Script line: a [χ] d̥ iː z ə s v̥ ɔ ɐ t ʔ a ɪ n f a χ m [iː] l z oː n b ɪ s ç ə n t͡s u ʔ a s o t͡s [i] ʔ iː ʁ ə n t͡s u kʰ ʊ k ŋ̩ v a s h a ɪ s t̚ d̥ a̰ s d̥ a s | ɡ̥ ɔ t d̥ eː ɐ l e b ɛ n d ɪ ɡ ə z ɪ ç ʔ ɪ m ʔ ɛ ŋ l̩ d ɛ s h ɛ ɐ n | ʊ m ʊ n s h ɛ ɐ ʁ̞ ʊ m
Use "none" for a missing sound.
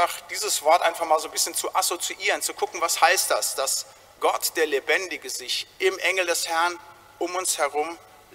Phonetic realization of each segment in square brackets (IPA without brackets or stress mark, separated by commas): χ, aː, i